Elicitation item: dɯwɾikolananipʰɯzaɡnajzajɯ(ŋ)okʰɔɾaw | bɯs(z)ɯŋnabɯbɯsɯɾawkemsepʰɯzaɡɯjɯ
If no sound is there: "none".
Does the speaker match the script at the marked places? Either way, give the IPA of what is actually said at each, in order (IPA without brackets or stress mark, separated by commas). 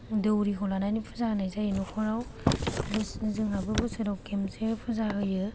n, z